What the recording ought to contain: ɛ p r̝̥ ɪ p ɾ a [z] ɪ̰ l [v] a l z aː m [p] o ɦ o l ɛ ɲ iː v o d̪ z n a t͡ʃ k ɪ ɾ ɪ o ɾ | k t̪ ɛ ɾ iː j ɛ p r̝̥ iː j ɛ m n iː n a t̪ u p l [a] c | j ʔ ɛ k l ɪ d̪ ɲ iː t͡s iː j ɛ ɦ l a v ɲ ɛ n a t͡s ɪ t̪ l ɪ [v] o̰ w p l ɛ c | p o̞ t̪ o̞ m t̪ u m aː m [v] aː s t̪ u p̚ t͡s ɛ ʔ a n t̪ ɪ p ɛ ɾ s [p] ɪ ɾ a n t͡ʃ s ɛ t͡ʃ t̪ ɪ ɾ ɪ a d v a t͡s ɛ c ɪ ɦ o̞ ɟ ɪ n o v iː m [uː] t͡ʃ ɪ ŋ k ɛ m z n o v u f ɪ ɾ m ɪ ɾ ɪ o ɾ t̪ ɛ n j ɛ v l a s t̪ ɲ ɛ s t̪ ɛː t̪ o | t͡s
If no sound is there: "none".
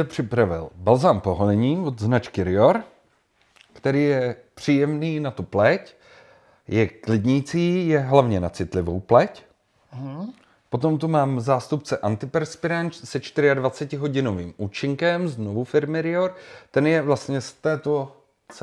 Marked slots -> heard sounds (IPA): v, b, p, ɛ, v, z, p, uː

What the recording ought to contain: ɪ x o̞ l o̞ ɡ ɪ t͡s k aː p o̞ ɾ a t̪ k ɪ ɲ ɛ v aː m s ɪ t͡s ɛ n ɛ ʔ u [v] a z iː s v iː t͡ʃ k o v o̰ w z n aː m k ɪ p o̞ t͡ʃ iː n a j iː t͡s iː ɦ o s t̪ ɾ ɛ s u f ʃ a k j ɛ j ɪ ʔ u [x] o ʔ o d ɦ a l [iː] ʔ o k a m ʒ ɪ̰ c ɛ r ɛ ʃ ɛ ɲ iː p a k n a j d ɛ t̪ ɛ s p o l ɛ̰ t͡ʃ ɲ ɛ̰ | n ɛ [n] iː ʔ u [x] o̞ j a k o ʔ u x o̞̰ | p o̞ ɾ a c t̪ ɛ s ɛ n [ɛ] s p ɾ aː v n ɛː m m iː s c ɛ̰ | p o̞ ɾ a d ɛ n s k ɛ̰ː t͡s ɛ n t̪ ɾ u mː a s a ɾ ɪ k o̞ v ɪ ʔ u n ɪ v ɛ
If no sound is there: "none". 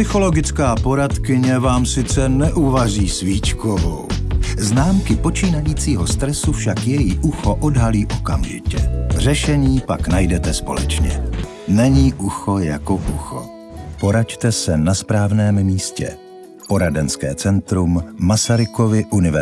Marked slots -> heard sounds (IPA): v, x, iː, ɲ, x, a

